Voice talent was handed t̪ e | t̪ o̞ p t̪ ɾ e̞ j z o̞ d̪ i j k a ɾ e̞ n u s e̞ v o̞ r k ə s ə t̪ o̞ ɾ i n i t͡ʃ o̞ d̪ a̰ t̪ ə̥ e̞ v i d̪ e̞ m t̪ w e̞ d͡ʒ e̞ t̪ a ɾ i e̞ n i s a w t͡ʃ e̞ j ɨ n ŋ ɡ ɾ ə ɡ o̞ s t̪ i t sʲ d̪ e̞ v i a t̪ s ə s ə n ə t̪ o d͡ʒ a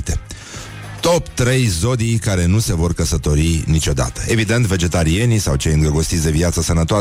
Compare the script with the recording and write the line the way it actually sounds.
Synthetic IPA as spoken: t̪ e | t̪ o̞ p t̪ ɾ e̞ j z o̞ d̪ i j k a ɾ e̞ n u s e̞ v o̞ r k ə s ə t̪ o̞ ɾ i n i t͡ʃ o̞ d̪ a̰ t̪ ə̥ e̞ v i d̪ e̞ n t̪ v e̞ d͡ʒ e̞ t̪ a ɾ i e̞ n i s a w t͡ʃ e̞ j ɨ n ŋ ɡ ɾ ə ɡ o̞ s t̪ i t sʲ d̪ e̞ v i a t̪ s ə s ə n ə t̪ o a